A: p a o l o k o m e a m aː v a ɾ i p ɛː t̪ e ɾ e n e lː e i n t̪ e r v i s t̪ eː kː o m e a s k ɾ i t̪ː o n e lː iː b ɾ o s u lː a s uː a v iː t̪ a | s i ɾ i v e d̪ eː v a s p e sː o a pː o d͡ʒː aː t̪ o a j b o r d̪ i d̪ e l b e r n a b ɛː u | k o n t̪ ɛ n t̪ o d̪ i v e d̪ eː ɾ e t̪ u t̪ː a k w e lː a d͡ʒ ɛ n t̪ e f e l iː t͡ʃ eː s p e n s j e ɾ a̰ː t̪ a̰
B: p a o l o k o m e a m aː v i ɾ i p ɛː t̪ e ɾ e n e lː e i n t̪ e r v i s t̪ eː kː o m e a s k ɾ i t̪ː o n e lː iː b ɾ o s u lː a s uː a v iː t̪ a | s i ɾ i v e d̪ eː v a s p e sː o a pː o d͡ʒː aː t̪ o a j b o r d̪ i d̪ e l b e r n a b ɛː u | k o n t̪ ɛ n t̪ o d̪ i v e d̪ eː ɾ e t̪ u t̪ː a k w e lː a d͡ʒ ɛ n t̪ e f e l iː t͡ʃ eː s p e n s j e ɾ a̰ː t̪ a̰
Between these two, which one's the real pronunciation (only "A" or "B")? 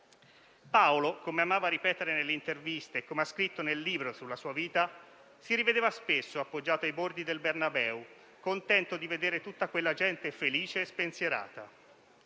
A